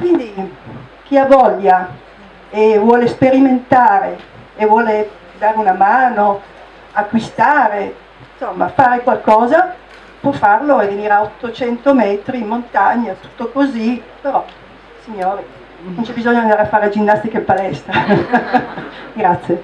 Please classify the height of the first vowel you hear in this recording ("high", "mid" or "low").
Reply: high